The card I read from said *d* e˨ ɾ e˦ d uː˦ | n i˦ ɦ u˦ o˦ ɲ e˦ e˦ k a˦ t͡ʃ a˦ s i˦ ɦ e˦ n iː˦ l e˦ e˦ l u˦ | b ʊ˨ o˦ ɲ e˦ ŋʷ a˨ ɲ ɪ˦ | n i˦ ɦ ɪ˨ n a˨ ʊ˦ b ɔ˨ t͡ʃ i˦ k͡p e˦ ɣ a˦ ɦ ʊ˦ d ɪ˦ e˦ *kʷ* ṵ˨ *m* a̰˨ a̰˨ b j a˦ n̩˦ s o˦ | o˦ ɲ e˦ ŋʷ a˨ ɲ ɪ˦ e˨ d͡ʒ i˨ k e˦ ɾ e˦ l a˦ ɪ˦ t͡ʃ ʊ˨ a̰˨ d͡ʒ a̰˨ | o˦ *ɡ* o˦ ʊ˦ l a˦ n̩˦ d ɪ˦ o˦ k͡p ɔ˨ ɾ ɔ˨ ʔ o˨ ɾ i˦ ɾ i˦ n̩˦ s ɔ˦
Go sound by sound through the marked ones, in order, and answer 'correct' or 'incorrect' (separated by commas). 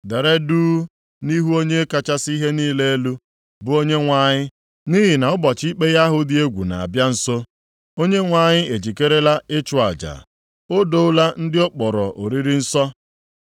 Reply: correct, incorrect, incorrect, incorrect